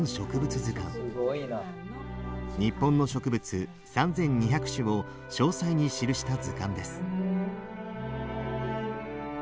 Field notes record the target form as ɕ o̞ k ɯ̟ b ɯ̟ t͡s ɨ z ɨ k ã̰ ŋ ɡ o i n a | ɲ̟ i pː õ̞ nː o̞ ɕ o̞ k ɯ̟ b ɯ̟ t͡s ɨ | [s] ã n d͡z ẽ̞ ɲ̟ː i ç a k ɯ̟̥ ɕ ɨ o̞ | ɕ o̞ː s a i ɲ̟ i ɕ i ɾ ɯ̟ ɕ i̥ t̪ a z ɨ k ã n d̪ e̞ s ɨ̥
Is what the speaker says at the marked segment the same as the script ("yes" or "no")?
yes